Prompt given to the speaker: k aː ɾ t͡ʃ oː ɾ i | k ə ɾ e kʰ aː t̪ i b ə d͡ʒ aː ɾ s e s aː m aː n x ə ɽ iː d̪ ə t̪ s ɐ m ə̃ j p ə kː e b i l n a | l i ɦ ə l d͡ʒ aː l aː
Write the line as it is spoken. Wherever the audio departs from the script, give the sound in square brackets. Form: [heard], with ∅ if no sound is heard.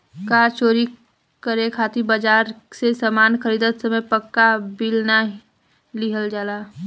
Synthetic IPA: k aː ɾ t͡ʃ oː ɾ i | k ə ɾ e kʰ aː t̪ i b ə d͡ʒ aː ɾ s e s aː m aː n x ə [ɾ] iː d̪ ə t̪ s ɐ m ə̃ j p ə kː [a] b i l n a | l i ɦ ə l d͡ʒ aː l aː